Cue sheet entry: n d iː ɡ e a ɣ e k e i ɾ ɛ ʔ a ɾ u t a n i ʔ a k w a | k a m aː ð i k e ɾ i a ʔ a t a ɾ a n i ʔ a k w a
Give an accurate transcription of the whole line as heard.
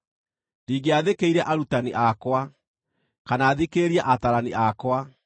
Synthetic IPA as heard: n d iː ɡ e a ð e k e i ɾ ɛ ʔ a ɾ u t a n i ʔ a k w a | k a n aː ð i k e ɾ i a ʔ a t a ɾ a n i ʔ a k w a